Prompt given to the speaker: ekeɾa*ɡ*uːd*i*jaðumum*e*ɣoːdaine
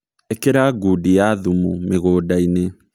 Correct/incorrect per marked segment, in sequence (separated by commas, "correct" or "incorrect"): correct, correct, correct